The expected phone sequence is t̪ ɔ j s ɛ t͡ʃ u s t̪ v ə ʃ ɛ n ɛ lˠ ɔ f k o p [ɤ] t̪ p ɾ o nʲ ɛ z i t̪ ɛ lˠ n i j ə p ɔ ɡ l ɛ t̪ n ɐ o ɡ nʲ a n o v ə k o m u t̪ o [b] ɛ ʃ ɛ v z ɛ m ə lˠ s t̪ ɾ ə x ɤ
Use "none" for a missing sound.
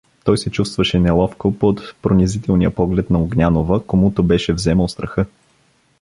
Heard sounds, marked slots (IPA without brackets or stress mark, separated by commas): o, b